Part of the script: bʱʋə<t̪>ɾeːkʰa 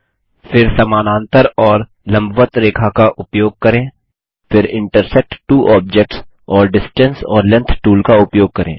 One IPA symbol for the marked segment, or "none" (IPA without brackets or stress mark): t̪